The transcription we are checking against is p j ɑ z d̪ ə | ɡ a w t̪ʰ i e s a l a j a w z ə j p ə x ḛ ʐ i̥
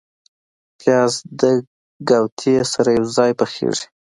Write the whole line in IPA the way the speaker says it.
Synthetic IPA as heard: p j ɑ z d̪ ə | ɡ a w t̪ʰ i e s a ɾ a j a w z ɑ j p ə x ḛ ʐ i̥